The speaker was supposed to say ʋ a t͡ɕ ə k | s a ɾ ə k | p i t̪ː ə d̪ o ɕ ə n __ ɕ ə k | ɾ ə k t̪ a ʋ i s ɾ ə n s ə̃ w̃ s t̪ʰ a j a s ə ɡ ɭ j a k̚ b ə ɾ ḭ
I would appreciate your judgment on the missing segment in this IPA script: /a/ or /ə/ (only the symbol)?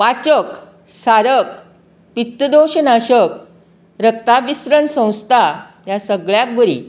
a